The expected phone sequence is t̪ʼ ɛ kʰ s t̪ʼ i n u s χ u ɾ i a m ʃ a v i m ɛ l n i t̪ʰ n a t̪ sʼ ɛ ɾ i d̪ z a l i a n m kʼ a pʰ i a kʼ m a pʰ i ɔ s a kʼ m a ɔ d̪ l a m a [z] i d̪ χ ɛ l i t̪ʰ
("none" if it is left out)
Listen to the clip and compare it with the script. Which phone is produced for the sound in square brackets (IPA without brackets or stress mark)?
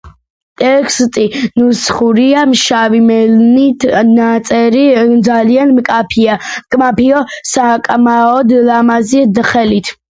z